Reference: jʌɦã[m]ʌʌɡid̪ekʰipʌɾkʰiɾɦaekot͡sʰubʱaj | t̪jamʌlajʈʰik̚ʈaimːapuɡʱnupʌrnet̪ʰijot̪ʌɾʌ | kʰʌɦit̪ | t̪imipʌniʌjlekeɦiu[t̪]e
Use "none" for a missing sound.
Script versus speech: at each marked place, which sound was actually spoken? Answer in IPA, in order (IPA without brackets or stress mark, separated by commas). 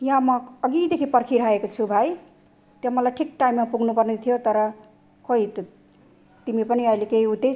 m, t̪